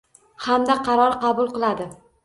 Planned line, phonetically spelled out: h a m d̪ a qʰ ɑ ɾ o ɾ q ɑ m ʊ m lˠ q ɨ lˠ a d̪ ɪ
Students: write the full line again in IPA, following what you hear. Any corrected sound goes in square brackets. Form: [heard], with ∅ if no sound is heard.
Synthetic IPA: h a m d̪ a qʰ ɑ ɾ [ɒ] ɾ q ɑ [b] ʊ [∅] lˠ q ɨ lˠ a d̪ ɪ